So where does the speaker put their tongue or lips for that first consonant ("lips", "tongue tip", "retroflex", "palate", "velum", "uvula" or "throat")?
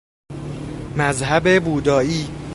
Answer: lips